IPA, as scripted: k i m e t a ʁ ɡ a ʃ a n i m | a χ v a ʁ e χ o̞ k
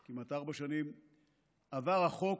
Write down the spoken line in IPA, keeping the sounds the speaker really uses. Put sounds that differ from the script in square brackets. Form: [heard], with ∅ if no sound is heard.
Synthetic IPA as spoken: k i m [a] t a ʁ [b] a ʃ a n i m | a [∅] v a ʁ [a] χ o̞ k